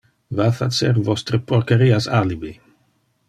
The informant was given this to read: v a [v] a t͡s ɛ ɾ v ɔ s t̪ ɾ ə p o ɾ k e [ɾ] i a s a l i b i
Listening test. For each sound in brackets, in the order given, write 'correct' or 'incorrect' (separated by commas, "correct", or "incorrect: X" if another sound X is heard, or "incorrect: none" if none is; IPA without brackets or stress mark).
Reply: incorrect: f, correct